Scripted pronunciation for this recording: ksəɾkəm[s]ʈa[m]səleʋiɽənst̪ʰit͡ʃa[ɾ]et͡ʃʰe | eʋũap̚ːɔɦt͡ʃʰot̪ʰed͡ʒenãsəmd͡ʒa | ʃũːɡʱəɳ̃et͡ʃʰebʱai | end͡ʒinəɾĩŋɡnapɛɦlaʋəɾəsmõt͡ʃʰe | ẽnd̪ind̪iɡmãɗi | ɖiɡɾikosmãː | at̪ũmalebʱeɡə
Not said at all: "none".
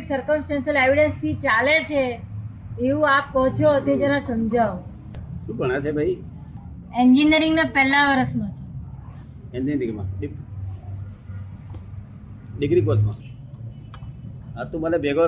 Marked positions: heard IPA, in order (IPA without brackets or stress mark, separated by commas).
s, n, l